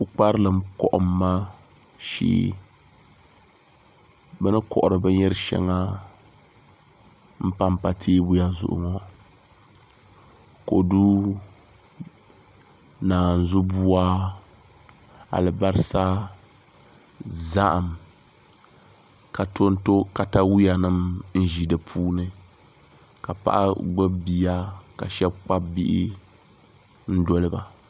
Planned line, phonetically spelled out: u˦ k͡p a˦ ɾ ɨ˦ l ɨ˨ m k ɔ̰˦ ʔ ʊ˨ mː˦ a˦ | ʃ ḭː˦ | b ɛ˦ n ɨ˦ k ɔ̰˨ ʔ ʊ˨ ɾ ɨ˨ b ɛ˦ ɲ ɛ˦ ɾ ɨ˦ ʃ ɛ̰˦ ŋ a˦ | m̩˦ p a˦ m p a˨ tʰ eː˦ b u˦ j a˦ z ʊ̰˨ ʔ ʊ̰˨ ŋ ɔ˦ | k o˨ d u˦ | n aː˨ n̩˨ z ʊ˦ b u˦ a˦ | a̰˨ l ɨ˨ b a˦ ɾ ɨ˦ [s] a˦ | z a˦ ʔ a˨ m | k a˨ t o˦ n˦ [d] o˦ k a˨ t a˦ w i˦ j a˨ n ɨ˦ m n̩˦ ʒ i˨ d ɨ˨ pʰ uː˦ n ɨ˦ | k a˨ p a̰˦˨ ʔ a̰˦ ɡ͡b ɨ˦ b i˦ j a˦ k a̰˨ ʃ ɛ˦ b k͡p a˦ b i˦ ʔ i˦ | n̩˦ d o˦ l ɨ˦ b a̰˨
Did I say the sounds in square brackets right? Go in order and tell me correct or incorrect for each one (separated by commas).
correct, incorrect